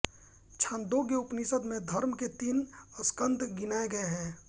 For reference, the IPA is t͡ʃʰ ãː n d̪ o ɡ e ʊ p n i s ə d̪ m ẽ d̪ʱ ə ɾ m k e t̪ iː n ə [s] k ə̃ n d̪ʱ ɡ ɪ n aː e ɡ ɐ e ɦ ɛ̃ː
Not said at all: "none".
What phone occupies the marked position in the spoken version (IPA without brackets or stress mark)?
s